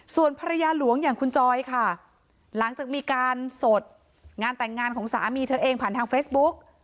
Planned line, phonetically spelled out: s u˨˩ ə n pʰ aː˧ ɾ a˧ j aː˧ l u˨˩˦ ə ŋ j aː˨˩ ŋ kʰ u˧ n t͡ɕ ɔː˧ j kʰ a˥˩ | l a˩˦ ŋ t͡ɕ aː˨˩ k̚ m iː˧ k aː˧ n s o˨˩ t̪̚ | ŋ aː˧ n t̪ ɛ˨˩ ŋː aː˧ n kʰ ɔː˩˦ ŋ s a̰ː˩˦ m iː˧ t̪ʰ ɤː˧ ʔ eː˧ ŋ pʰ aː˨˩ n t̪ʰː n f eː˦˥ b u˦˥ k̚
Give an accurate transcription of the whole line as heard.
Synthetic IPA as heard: s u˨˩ ə n pʰ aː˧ ɾ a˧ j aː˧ l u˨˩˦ ə ŋ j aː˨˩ ŋ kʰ u˧ n t͡ɕ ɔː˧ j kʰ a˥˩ | l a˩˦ ŋ t͡ɕ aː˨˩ k̚ m iː˧ k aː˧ n s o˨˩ t̪̚ | ŋ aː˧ n t̪ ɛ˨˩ ŋː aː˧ n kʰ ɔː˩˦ ŋ s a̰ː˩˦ m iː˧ t̪ʰ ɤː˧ ʔ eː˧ ŋ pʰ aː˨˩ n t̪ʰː ŋ f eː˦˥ b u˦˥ k̚

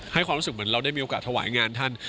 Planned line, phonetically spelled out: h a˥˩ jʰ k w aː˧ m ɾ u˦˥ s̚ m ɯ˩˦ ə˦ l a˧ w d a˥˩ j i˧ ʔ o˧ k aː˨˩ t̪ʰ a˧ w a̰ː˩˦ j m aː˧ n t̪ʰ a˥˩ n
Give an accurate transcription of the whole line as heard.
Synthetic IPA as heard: h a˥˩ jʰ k w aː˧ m ɾ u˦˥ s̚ m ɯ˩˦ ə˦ ɾ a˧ w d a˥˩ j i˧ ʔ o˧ k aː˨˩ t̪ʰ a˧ w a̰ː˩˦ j ŋ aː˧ n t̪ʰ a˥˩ n

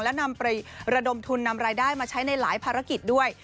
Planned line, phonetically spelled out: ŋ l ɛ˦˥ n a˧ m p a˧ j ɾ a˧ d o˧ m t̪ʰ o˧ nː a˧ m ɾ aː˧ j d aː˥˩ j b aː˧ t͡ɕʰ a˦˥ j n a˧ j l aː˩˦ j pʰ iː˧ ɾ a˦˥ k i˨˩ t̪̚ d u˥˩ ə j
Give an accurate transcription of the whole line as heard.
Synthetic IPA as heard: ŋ l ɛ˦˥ n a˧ m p a˧ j ɾ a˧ d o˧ m t̪ʰ u˧ nː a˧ m ɾ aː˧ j d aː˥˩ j m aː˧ t͡ɕʰ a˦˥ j n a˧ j l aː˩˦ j pʰ aː˧ ɾ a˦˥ k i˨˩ t̪̚ d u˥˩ ə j

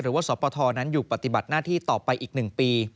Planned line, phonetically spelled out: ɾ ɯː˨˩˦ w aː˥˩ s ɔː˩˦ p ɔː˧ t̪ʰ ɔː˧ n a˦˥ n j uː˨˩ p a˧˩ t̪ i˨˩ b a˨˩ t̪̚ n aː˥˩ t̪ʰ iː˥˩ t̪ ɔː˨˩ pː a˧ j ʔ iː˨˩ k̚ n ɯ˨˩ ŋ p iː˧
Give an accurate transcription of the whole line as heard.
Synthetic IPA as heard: ɾ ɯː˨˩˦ w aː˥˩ s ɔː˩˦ p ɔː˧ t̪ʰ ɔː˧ n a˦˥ n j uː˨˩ p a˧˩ t̪ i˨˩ b a˨˩ t̪̚ n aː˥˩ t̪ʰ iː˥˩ t̪ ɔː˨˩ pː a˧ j ʔ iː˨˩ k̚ n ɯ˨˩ ŋ p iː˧

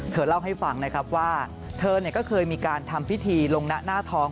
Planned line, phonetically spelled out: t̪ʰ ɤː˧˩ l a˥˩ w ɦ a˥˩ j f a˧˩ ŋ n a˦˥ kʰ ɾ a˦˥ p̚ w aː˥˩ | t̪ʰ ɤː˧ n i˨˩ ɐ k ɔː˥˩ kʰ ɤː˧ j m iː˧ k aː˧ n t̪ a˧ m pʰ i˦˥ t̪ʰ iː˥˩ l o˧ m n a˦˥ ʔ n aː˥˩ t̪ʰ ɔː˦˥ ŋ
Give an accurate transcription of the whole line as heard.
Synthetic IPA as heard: t̪ʰ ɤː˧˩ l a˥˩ w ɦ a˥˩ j f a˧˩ ŋ n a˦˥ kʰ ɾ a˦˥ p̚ w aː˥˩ | t̪ʰ ɤː˧ n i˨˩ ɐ k ɔː˥˩ kʰ ɤː˧ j m iː˧ k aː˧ n t̪ʰ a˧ m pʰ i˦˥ t̪ʰ iː˧ l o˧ ŋ n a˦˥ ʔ n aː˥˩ t̪ʰ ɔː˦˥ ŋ

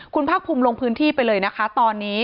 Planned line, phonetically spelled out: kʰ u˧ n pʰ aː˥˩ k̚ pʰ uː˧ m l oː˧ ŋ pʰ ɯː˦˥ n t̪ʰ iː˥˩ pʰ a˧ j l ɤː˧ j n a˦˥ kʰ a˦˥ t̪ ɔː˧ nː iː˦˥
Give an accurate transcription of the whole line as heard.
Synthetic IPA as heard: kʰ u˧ n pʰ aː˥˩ k̚ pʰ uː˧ m l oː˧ ŋ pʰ ɯː˦˥ n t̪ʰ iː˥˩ p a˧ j l ɤː˧ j n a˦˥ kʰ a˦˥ t̪ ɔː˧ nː iː˦˥

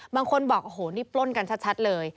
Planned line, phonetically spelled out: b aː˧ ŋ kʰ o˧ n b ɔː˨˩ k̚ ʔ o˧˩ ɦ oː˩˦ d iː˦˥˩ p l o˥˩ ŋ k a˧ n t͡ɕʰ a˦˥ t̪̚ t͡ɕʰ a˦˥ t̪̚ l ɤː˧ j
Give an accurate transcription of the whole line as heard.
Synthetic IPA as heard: b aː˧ ŋ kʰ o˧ n b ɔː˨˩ k̚ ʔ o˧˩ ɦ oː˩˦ n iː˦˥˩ p l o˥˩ n k a˧ n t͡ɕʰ a˦˥ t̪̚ t͡ɕʰ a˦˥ t̪̚ l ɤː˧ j

